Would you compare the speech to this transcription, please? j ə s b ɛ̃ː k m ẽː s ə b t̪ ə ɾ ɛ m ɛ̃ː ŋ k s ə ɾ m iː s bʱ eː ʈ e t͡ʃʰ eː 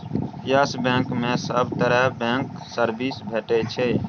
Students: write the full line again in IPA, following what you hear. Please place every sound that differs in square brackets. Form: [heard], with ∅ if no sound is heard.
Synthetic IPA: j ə s b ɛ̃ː k m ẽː s ə b t̪ ə ɾ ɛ [b] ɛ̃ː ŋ k s ə ɾ [b] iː s bʱ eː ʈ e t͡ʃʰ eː

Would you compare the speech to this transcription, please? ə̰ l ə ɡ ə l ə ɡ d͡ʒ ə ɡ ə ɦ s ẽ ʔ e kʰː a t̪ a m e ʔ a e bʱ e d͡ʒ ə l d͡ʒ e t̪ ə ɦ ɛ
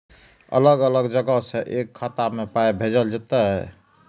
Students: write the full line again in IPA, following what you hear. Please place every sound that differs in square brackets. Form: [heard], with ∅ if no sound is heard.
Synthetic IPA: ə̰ l ə ɡ ə l ə ɡ d͡ʒ ə ɡ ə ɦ s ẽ ʔ e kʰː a t̪ a m e [p] a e bʱ e d͡ʒ ə l d͡ʒ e t̪ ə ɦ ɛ

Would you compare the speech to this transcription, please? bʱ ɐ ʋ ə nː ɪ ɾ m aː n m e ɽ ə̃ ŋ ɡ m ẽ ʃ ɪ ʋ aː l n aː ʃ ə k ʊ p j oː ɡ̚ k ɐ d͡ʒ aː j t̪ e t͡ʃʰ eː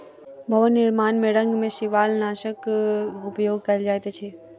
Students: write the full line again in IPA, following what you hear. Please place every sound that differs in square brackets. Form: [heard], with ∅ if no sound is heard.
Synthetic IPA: bʱ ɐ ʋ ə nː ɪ ɾ m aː n m e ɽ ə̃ ŋ ɡ m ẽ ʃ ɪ ʋ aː l n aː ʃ ə k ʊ p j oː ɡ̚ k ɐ d͡ʒ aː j t̪ e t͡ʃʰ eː

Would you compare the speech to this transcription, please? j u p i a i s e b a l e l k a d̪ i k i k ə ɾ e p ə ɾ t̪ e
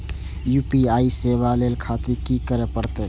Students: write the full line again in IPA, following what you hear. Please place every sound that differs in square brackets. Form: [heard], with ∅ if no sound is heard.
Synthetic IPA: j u p i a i s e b a l e l [kʰ] a [t̪] i k i k ə ɾ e p ə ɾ t̪ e

